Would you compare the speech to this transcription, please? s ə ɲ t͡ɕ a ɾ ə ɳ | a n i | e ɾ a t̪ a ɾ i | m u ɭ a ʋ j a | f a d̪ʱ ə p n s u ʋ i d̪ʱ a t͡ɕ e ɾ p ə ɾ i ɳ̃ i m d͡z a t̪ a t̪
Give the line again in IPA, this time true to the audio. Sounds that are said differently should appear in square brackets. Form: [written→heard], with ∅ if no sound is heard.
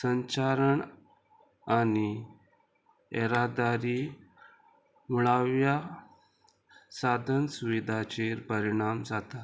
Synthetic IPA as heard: s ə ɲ t͡ɕ a ɾ ə ɳ | a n i | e ɾ a [t̪→d̪] a ɾ i | m u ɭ a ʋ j a | [f→s] a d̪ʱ ə [p→∅] n s u ʋ i d̪ʱ a t͡ɕ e ɾ p ə ɾ i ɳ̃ [i→a] m d͡z a t̪ a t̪